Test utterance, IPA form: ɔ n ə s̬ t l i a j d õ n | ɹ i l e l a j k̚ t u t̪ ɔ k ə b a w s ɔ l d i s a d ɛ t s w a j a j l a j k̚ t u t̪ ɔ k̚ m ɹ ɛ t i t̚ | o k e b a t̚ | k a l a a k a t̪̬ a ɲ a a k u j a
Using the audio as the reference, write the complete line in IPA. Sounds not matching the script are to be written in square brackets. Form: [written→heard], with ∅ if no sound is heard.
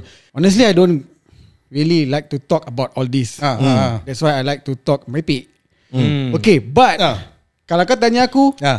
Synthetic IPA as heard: ɔ n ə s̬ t l i a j d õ n | ɹ i l [e→i] l a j k̚ t u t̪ ɔ k ə b a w [s→t] ɔ l d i s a d ɛ t s w a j a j l a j k̚ t u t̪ ɔ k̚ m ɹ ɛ [t→p] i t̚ | o k e b a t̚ | k a l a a k a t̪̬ a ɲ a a k u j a